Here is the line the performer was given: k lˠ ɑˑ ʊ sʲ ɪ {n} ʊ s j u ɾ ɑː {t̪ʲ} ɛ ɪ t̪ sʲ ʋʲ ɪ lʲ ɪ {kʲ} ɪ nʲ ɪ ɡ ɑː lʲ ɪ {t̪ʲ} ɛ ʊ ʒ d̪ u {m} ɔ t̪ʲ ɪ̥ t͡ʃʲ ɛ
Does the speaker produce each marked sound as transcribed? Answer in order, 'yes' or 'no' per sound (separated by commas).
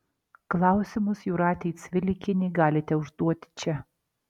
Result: no, yes, yes, yes, no